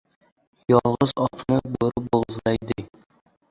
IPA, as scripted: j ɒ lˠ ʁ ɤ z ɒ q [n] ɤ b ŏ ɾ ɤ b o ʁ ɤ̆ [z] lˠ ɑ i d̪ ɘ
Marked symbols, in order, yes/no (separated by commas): yes, yes